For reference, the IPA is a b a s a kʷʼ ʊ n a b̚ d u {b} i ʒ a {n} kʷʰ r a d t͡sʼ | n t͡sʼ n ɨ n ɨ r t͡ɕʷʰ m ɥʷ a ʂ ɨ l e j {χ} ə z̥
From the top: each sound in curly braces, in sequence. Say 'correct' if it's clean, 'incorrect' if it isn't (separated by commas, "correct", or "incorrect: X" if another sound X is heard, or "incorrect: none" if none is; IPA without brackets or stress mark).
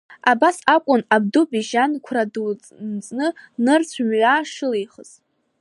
correct, correct, correct